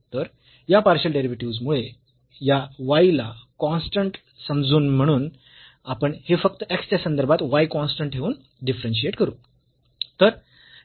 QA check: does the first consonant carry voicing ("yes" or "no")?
no